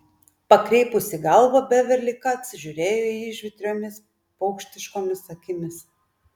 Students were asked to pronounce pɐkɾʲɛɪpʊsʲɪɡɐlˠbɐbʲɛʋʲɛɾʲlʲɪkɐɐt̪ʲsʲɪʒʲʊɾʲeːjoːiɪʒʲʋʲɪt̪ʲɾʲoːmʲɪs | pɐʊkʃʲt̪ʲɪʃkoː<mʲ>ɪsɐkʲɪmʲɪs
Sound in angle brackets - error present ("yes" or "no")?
no